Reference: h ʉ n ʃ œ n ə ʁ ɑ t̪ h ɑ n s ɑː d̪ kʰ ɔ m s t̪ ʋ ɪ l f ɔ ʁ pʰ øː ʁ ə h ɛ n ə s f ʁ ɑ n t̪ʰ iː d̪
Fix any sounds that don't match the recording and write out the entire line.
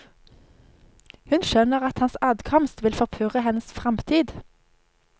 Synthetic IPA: h ʉ n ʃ œ n ə ʁ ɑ t̪ h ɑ n s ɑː d̪ kʰ ɔ m s t̪ ʋ ɪ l f ɔ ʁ pʰ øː ʁ ə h ɛ n ə s f ʁ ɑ m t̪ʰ iː d̪